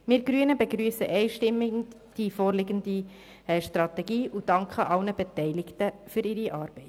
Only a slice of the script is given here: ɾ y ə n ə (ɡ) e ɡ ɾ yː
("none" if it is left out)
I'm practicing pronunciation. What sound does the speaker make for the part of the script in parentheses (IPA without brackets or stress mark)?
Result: b